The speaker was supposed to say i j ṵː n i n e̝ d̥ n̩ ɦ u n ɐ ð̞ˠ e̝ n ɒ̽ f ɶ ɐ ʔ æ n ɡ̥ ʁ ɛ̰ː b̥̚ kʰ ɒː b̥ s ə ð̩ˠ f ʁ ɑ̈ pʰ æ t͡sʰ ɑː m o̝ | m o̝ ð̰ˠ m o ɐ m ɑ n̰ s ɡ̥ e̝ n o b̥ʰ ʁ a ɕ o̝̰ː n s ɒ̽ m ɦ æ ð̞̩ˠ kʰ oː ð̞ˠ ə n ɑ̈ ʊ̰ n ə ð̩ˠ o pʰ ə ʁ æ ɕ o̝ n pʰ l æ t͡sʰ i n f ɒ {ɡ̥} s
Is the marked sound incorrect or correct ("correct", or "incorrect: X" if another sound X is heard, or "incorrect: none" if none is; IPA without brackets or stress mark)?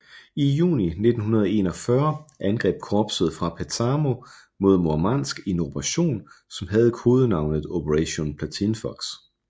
correct